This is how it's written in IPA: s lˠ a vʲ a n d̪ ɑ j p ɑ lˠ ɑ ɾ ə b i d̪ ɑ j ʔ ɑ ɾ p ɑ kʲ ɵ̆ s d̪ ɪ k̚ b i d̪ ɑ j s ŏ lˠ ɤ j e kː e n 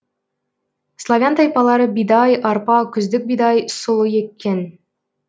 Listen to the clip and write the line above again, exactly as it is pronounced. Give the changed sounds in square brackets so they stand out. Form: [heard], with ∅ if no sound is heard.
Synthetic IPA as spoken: s lˠ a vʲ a n [t̪] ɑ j p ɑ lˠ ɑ ɾ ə b i d̪ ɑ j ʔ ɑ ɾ p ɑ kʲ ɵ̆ [z] d̪ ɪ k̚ b i d̪ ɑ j s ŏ lˠ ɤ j e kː e n